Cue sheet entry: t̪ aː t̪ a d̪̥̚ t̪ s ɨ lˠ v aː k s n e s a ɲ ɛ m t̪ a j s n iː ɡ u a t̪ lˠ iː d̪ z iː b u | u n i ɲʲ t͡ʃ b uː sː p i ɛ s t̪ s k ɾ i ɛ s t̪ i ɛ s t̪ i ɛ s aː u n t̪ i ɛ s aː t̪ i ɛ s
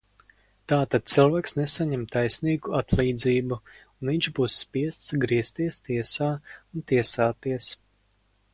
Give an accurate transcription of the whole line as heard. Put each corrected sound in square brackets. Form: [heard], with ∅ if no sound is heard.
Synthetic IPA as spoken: t̪ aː t̪ a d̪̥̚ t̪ s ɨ lˠ v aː k s n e s a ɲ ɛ m t̪ a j s n iː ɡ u a t̪ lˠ iː d̪ z iː b u | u n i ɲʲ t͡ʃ b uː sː p i ɛ s t̪ s [ɡ] ɾ i ɛ s t̪ i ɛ s t̪ i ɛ s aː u n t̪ i ɛ s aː t̪ i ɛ s